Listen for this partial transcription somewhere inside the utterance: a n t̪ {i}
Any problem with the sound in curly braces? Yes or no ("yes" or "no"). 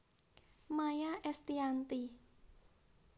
no